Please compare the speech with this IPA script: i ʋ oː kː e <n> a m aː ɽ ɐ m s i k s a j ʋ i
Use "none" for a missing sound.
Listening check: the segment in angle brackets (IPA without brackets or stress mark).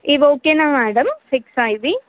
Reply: n